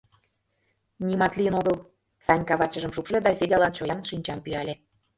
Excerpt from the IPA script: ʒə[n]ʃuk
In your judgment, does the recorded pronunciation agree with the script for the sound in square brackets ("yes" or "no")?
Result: no